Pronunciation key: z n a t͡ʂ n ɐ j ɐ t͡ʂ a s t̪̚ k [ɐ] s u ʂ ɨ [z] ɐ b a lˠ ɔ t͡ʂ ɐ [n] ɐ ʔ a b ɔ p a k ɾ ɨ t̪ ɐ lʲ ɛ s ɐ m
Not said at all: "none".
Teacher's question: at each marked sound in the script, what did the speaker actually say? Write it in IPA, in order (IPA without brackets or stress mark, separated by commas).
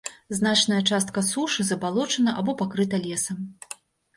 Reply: ɐ, z, n